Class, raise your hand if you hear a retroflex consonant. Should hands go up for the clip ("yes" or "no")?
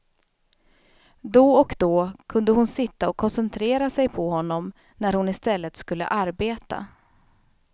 no